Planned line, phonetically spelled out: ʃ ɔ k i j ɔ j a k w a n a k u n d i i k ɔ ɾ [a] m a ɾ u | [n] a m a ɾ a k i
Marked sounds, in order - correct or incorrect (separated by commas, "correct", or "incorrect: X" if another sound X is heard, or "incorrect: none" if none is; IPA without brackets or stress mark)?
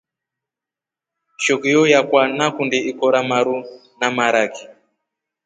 correct, correct